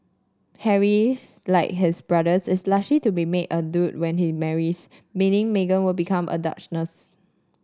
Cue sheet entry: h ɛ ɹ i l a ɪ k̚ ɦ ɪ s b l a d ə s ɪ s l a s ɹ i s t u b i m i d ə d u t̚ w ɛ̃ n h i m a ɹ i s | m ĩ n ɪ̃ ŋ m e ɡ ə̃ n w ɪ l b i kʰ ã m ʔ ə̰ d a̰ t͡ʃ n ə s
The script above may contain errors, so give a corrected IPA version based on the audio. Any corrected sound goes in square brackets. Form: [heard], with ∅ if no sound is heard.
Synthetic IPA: h ɛ ɹ i l a ɪ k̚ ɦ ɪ s b [ɹ] a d ə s ɪ s l a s [l] i [∅] t u b i m [e] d ə d u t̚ w ɛ̃ n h i m [ɛ] ɹ i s | m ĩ n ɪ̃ ŋ m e ɡ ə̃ n w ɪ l b i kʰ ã m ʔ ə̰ d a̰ t͡ʃ n ə s